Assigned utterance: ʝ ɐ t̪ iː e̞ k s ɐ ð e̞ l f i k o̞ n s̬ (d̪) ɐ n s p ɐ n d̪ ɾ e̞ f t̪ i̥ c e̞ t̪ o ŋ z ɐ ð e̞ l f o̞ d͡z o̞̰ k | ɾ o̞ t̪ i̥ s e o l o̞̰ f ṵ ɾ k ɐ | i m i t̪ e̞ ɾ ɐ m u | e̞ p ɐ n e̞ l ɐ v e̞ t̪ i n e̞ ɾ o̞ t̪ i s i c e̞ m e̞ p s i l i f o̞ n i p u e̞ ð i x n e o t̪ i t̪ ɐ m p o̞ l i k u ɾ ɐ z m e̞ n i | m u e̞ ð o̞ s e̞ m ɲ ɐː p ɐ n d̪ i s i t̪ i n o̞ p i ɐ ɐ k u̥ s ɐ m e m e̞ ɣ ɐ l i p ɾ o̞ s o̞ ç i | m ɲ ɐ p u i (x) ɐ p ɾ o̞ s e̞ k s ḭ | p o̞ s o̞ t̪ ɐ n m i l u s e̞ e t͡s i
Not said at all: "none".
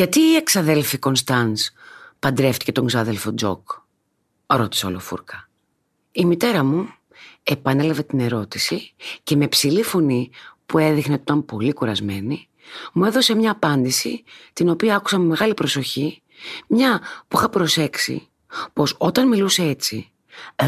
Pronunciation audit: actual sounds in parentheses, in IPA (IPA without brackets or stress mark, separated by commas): t̪, x